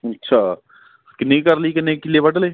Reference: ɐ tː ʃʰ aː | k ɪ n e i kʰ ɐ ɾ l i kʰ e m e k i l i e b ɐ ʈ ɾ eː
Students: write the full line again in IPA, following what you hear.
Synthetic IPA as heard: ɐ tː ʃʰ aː | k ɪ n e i k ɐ ɾ l i k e n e k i l i e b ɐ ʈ l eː